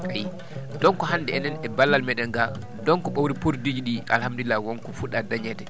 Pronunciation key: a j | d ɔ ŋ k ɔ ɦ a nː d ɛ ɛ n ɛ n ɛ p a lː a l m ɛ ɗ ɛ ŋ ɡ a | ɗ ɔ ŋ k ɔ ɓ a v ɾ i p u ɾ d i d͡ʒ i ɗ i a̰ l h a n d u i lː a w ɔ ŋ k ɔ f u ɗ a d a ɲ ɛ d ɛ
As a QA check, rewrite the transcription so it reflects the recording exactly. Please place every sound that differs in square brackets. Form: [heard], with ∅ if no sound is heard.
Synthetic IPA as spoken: a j | d ɔ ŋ k ɔ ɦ a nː d ɛ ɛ n ɛ n ɛ [b] a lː a l m ɛ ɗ ɛ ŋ ɡ a | [d] ɔ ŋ k ɔ ɓ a [w] ɾ i p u ɾ d i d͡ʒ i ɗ i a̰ l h a [m] d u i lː a w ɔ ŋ k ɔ f u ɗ a d a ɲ ɛ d ɛ